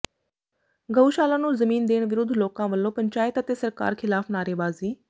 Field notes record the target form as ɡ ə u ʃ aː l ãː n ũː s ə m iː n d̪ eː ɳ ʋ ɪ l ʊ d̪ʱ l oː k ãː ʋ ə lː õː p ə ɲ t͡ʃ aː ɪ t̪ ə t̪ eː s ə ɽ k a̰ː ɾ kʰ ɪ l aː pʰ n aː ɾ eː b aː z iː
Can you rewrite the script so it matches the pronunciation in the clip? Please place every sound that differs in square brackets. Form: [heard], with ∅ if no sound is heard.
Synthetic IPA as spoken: ɡ ə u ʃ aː l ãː n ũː [z] ə m iː n d̪ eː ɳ ʋ ɪ [ɾ] ʊ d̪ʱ l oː k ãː ʋ ə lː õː p ə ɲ t͡ʃ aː ɪ t̪ ə t̪ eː s ə [ɾ] k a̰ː ɾ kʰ ɪ l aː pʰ n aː ɾ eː b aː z iː